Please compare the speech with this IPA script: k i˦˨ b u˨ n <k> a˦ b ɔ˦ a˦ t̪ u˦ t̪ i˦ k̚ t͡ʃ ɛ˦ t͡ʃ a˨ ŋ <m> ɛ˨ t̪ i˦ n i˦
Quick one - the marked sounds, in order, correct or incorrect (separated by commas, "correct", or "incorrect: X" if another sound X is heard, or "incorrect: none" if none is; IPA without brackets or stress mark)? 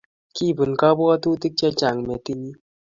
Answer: correct, correct